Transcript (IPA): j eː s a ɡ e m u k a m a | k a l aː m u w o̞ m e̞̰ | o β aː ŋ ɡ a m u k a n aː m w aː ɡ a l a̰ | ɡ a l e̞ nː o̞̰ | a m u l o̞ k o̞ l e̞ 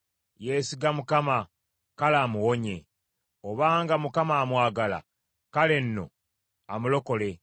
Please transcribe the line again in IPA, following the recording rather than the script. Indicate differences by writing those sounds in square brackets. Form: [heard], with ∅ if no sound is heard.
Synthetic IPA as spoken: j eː s [i] ɡ [a] m u k a m a | k a l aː m u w o̞ [ɲ] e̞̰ | o β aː ŋ ɡ a m u k a [m] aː m w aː ɡ a l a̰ | [k] a l e̞ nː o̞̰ | a m u l o̞ k o̞ l e̞